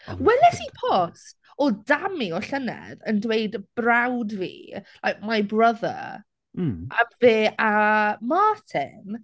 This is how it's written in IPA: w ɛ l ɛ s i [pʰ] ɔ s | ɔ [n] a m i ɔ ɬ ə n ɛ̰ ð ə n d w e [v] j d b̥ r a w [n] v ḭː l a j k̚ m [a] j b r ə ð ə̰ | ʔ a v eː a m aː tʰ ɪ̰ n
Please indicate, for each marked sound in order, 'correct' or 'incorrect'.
correct, incorrect: d, incorrect: none, incorrect: d, correct

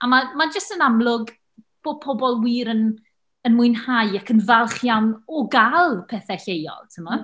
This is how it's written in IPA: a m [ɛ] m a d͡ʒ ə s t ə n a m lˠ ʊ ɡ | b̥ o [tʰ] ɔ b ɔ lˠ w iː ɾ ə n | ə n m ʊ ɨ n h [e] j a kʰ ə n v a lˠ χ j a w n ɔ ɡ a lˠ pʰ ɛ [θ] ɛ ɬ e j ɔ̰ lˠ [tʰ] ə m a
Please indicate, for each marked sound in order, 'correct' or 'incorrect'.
incorrect: a, incorrect: pʰ, incorrect: a, correct, correct

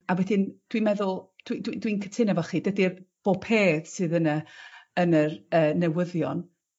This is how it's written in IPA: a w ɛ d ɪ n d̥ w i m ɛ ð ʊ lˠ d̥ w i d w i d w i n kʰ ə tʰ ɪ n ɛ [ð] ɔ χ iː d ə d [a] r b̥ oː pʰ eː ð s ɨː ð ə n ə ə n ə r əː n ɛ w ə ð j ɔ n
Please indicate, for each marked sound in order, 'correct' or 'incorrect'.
incorrect: v, incorrect: i

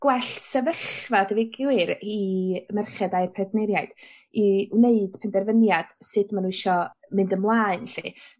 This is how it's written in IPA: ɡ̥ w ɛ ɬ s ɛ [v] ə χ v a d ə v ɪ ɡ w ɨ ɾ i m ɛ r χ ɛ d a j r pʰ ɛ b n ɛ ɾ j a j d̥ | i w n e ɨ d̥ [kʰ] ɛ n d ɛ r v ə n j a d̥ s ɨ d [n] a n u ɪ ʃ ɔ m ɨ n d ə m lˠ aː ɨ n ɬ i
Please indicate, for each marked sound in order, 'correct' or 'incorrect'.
correct, incorrect: pʰ, incorrect: m

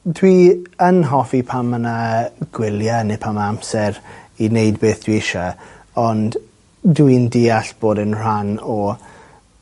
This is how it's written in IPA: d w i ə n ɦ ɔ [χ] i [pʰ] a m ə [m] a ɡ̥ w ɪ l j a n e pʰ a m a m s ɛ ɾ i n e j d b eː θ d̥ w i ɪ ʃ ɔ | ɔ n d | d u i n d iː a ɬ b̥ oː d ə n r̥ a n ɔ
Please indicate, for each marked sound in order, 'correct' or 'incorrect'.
incorrect: f, correct, incorrect: n

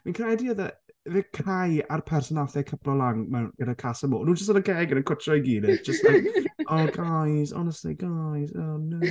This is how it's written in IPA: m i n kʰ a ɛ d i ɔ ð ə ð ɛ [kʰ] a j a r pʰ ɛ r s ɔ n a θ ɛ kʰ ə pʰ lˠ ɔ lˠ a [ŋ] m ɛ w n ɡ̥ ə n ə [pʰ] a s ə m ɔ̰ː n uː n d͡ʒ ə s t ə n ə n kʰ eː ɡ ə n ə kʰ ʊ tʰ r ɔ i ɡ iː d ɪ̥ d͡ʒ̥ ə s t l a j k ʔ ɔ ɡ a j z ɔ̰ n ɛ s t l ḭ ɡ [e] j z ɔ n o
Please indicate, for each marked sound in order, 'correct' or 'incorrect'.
correct, correct, incorrect: kʰ, incorrect: a

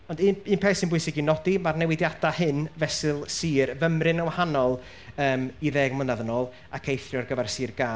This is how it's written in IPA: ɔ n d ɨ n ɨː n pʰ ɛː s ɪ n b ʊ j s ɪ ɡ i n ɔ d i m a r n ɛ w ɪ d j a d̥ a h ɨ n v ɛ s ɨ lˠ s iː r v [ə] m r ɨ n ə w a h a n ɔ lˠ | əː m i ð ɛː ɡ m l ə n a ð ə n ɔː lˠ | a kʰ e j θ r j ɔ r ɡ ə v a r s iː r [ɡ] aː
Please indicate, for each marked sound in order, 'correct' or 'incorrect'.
correct, correct

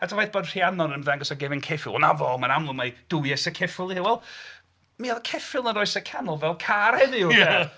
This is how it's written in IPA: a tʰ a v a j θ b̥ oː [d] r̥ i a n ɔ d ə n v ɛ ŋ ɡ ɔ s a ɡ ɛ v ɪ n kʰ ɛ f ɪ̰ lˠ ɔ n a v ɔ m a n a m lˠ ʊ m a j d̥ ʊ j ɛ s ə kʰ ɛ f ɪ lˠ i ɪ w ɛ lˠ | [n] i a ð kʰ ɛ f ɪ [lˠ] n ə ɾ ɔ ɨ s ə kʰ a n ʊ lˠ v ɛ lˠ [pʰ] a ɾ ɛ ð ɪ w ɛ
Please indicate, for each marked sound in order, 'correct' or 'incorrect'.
correct, incorrect: m, correct, incorrect: kʰ

